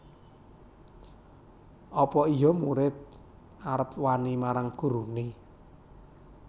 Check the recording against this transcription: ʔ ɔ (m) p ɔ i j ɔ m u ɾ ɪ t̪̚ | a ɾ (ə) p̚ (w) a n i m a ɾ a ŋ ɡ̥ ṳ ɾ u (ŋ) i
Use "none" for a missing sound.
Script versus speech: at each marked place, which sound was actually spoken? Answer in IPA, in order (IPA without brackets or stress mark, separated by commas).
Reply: none, ə, w, n